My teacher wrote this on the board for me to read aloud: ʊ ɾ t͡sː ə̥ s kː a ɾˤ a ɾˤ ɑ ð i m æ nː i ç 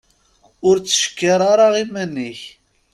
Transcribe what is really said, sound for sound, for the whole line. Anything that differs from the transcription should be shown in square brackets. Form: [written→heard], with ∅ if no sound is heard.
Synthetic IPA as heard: ʊ ɾ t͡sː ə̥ [s→ʃ] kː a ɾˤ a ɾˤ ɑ [ð→ʁ] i m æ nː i ç